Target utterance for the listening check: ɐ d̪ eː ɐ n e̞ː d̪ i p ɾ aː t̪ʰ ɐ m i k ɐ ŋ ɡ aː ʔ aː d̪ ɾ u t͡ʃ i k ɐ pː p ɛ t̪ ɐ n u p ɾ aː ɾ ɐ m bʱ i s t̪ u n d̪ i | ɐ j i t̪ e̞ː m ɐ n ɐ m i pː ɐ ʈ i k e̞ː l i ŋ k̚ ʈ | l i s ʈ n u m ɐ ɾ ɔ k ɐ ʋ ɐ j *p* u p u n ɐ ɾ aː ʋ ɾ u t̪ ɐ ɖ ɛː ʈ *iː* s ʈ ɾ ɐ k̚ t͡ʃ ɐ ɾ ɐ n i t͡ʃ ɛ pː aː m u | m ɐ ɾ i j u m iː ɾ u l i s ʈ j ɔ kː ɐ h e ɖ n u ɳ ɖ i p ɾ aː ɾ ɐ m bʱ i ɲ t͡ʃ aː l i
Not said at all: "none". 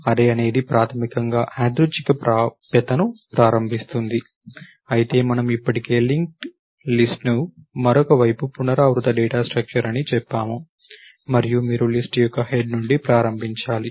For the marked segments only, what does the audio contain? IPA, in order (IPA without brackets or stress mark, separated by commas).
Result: p, aː